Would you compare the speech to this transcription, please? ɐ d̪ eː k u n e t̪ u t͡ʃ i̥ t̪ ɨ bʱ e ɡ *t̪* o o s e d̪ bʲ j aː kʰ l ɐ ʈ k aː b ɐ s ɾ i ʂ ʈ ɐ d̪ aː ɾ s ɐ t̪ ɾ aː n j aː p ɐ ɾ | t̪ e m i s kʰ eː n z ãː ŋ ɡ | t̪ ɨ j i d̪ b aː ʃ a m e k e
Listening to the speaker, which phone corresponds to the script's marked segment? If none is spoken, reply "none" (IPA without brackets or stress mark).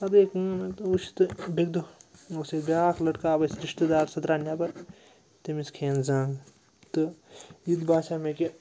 d̪